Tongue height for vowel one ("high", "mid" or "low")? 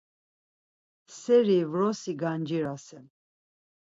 mid